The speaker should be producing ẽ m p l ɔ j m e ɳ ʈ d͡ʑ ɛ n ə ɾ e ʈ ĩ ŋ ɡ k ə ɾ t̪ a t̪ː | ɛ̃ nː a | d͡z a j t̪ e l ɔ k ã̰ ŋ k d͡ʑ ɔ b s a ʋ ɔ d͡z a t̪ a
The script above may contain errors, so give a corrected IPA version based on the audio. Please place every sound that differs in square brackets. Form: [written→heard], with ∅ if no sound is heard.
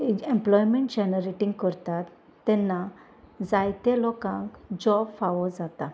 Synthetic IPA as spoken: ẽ m p l ɔ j m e ɳ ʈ d͡ʑ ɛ n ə ɾ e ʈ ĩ ŋ ɡ k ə ɾ t̪ a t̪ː | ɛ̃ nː a | d͡z a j t̪ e l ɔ k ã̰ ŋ k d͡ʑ ɔ b [s→f] a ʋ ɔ d͡z a t̪ a